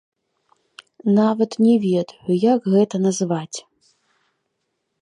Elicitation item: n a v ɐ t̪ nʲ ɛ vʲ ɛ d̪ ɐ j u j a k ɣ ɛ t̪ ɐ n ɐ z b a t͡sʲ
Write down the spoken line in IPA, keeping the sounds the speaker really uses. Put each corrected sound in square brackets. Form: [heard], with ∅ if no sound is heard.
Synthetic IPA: n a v ɐ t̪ nʲ ɛ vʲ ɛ d̪ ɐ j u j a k ɣ ɛ t̪ ɐ n ɐ z [v] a t͡sʲ